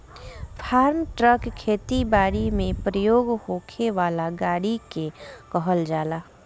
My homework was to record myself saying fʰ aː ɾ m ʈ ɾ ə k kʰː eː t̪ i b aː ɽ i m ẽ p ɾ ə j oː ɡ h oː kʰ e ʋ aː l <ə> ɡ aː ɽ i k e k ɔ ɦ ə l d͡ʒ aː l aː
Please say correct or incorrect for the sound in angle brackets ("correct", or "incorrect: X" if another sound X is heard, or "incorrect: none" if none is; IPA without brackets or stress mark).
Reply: incorrect: a